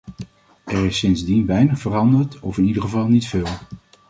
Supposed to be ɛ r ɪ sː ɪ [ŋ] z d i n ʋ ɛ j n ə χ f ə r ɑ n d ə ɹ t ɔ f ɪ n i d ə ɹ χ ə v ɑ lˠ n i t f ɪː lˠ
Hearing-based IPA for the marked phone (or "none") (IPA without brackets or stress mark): n